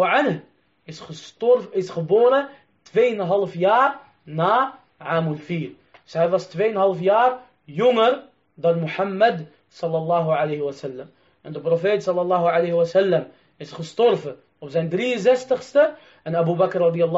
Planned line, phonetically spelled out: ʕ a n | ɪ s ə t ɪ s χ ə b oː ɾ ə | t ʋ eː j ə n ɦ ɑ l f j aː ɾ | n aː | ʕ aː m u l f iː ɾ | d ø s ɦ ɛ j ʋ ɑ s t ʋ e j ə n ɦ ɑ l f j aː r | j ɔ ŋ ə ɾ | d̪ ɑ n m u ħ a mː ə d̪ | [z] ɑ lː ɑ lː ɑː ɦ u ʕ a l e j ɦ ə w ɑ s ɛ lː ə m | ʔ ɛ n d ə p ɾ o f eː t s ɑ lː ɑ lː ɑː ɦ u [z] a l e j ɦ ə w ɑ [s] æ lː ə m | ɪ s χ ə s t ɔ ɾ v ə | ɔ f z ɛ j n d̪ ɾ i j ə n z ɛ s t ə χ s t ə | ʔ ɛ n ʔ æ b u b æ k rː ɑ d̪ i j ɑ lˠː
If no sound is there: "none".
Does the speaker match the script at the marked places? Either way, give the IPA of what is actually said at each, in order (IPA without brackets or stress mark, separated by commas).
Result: s, ʕ, s